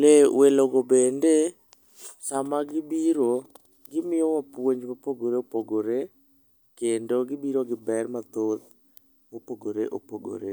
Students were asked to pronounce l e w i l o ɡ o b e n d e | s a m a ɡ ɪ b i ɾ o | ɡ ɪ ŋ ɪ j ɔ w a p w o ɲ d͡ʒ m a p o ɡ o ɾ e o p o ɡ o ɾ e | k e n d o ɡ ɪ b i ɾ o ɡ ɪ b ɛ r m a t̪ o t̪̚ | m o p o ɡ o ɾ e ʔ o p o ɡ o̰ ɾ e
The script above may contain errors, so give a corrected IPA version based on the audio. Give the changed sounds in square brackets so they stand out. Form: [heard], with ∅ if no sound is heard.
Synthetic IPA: l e w [e] l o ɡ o b e n d e | s a m a ɡ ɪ b i ɾ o | ɡ ɪ [m] ɪ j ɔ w a p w o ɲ d͡ʒ m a p o ɡ o ɾ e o p o ɡ o ɾ e | k e n d o ɡ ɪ b i ɾ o ɡ ɪ b ɛ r m a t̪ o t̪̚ | m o p o ɡ o ɾ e ʔ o p o ɡ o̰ ɾ e